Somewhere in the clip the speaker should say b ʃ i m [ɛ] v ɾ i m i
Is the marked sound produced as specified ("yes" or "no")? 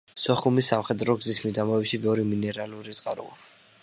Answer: yes